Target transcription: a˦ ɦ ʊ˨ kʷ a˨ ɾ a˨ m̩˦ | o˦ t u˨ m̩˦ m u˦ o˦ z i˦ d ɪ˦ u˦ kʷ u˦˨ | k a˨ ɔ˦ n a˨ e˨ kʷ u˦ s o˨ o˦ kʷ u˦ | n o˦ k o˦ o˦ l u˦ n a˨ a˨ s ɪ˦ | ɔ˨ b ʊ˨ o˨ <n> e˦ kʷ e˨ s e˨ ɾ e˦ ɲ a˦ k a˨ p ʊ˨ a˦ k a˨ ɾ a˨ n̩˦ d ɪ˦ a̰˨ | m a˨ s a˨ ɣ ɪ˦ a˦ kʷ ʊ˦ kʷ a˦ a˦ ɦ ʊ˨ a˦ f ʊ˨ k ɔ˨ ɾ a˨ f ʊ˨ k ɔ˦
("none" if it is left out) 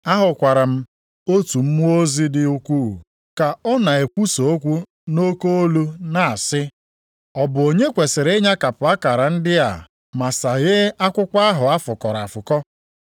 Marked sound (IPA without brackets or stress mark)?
ɲ